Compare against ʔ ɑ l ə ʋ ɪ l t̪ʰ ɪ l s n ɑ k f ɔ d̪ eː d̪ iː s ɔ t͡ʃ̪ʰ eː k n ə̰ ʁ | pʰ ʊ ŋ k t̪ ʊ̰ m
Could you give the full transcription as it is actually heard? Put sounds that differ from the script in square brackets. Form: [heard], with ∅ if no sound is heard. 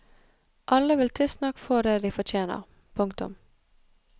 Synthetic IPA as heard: ʔ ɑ l ə ʋ ɪ l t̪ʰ ɪ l s n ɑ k f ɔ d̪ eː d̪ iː [f] ɔ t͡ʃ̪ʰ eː [∅] n ə̰ ʁ | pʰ ʊ ŋ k t̪ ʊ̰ m